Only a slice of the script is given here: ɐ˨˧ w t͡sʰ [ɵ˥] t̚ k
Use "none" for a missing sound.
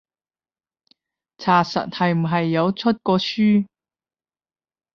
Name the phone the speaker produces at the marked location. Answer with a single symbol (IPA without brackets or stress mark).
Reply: ɵ˥